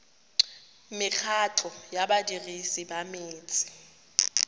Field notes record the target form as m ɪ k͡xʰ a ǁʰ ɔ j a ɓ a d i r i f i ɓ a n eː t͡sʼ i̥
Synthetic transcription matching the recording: m ɪ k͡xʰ a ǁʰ ɔ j a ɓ a d i r i s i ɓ a m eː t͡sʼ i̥